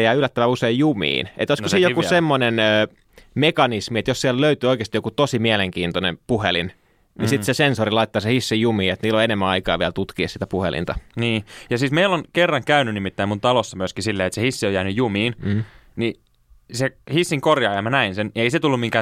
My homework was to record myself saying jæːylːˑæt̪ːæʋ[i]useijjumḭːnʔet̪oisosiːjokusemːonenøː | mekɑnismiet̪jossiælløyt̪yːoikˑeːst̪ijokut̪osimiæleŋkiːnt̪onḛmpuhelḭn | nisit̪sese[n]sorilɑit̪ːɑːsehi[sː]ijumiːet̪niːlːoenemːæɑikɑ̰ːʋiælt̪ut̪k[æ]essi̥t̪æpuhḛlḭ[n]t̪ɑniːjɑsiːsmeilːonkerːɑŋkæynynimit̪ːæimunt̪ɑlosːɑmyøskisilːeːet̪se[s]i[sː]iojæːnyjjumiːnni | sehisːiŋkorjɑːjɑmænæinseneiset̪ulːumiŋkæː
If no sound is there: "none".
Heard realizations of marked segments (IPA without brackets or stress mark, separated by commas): æ, n, sː, i, n, h, sː